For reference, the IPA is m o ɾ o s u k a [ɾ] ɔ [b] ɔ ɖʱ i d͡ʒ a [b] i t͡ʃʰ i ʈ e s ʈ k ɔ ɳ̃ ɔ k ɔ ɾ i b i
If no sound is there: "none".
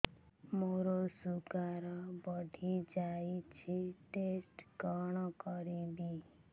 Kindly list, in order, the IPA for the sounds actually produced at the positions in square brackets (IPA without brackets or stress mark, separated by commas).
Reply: ɾ, b, none